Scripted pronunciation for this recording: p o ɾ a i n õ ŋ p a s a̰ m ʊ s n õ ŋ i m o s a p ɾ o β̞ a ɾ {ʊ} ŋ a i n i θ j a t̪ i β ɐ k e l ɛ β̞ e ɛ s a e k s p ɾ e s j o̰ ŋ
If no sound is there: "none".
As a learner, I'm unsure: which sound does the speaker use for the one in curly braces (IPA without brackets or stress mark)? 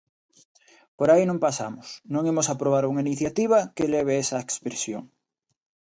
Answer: u